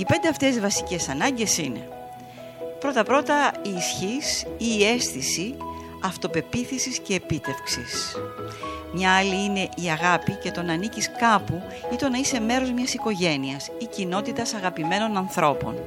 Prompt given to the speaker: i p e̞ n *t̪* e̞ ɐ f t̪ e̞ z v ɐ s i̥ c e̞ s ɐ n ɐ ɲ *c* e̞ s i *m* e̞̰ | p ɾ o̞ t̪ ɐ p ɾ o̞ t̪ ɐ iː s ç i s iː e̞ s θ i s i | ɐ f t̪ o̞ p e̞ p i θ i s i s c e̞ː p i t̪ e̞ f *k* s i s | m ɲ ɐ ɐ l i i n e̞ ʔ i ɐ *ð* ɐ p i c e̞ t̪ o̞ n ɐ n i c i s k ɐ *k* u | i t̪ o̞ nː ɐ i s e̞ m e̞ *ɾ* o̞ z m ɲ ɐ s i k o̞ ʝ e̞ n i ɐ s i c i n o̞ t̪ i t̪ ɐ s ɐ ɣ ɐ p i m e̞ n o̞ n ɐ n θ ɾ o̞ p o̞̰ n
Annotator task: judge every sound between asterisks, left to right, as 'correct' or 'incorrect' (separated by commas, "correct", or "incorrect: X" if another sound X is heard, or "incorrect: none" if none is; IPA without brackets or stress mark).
incorrect: d̪, incorrect: ɟ, incorrect: n, correct, incorrect: ɣ, incorrect: p, correct